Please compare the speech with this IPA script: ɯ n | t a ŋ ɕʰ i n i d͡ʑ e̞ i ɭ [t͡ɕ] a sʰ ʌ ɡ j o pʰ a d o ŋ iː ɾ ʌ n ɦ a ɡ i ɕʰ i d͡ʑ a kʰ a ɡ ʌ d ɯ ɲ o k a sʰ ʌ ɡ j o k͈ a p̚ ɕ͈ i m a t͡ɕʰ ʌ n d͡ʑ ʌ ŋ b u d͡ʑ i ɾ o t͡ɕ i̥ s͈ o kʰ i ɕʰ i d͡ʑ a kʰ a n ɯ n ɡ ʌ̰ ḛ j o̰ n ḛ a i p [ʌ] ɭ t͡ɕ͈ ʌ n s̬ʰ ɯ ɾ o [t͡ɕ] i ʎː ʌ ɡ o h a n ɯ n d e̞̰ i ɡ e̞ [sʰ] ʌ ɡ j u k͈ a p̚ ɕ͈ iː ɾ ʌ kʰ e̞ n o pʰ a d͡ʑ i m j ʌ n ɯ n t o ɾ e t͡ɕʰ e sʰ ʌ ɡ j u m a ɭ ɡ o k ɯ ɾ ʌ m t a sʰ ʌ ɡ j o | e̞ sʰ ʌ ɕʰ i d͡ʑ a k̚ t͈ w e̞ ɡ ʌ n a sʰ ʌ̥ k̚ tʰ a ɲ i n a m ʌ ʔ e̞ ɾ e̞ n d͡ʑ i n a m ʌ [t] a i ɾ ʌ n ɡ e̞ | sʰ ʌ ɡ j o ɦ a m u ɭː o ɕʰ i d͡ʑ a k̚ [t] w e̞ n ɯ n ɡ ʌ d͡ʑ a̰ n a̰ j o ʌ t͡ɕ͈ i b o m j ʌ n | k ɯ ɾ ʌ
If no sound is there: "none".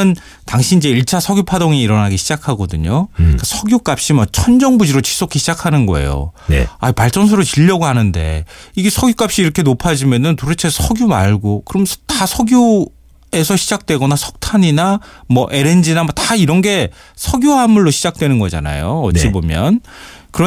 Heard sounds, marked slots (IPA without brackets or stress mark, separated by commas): t͡ɕʰ, a, t͡ɕ, sʰ, t, t